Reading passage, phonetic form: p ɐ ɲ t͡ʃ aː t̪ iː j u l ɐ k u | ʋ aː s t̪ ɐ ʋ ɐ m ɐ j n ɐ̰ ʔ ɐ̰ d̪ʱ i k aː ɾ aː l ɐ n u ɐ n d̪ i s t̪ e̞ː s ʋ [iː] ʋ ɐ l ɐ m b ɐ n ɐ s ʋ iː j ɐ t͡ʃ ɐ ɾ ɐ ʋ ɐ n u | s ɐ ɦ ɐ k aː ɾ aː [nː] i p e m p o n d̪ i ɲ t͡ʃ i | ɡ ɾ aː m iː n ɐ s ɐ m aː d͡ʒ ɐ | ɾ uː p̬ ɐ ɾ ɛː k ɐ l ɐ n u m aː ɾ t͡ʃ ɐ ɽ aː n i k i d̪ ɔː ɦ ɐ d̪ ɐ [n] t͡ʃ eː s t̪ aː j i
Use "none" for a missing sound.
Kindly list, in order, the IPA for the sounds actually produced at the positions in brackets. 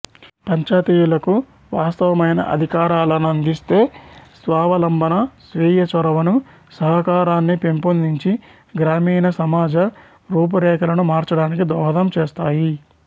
aː, nː, m

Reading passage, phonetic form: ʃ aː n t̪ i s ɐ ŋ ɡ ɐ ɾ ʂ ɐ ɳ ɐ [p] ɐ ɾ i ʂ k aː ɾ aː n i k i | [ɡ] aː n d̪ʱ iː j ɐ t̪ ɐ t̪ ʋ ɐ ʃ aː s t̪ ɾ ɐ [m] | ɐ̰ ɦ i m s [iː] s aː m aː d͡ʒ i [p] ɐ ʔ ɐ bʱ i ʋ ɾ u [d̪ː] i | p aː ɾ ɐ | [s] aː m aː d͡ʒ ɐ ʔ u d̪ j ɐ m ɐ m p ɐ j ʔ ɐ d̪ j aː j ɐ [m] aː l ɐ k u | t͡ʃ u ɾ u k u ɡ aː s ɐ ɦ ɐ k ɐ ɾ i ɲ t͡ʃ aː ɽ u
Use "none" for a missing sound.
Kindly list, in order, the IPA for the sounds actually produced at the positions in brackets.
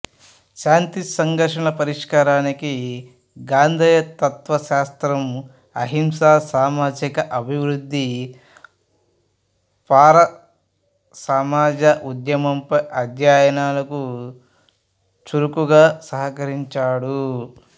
p, ɡ, m, aː, k, d̪ː, s, n

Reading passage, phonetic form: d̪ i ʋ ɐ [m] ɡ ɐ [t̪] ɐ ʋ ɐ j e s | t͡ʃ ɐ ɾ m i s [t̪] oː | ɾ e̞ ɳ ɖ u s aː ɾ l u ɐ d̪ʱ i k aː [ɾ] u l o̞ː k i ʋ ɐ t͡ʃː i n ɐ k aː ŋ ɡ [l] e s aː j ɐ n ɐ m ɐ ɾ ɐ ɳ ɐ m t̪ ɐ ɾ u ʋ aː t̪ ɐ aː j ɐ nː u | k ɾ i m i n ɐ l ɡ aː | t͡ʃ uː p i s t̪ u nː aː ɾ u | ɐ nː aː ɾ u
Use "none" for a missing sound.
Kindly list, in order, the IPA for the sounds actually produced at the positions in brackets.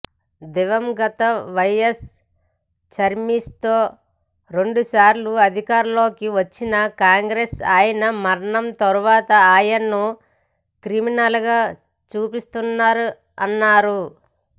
m, t̪, t̪, ɾ, ɾ

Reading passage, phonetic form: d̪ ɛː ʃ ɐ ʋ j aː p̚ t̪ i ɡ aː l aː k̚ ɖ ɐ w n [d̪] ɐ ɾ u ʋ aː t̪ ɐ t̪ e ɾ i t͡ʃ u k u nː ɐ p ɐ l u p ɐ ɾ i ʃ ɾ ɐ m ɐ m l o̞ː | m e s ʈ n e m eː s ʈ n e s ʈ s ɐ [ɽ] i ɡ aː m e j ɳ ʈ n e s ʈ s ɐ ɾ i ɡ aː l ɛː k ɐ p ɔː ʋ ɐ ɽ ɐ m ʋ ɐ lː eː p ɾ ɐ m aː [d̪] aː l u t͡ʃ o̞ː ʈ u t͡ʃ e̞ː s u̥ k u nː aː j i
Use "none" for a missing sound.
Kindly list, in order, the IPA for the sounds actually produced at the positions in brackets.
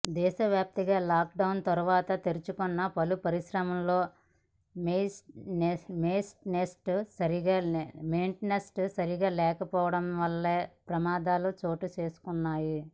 t̪, ɾ, d̪

